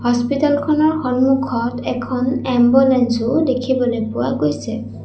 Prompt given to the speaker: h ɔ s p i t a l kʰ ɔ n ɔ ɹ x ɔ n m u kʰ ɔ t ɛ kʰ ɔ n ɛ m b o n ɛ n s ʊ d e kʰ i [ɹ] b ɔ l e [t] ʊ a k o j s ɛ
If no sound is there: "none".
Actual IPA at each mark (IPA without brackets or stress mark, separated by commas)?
none, p